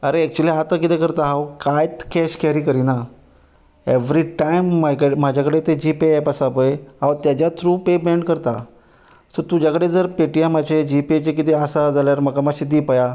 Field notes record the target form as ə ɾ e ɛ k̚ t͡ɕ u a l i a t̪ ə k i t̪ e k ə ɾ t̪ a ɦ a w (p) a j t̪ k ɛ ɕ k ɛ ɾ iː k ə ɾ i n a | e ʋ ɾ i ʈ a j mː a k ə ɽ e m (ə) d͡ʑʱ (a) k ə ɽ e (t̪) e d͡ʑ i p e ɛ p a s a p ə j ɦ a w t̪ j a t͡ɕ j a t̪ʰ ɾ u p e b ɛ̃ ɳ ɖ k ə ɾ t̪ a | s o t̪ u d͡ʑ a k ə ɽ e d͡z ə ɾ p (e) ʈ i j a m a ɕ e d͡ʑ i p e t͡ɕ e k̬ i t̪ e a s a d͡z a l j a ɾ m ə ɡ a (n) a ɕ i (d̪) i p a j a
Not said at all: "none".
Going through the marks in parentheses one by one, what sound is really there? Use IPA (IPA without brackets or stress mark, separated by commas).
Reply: k, a, a, t̪, e, m, d̪